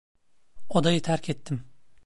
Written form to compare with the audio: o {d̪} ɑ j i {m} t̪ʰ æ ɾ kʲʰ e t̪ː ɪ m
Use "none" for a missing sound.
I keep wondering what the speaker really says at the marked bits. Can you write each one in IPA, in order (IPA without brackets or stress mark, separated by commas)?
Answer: d̪, none